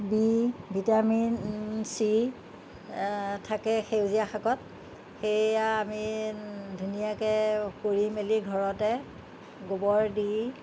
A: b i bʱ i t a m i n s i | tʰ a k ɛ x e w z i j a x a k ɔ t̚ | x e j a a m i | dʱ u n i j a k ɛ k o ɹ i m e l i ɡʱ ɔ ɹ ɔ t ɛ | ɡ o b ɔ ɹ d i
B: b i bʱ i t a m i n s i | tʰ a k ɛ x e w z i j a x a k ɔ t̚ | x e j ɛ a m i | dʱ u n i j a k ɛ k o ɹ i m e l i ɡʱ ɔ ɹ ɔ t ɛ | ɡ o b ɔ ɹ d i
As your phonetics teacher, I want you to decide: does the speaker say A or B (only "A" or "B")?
A